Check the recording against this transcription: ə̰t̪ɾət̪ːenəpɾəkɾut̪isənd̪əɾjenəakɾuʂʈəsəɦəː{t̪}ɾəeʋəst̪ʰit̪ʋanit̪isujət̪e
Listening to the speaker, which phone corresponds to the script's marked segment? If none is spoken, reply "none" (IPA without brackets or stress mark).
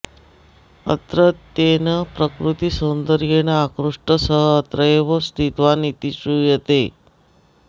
t̪